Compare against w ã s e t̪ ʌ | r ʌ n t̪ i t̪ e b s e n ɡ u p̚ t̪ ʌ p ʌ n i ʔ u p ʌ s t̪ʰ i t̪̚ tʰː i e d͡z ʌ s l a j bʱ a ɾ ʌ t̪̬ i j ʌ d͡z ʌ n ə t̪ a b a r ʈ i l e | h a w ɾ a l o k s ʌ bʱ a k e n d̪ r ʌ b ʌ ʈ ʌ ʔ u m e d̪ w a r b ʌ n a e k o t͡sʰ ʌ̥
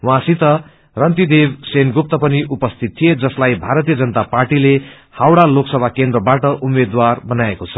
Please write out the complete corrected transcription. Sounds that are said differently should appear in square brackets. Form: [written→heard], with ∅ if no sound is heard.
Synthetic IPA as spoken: w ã s [e→i] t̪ ʌ | r ʌ n t̪ i [t̪→d̪] e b s e n ɡ u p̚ t̪ ʌ p ʌ n i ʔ u p ʌ s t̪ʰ i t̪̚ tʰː i e d͡z ʌ s l a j bʱ a ɾ ʌ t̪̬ i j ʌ d͡z ʌ n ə t̪ a [b→p] a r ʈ i l e | h a w [ɾ→ɽ] a l o k s ʌ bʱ a k e n d̪ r ʌ b [ʌ→a] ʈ ʌ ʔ u m e d̪ w a r b ʌ n a e k o t͡sʰ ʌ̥